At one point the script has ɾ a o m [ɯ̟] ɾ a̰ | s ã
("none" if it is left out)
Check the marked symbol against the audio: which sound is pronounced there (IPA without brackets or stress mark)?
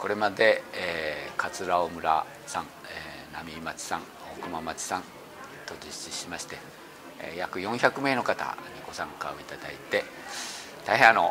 ɯ̟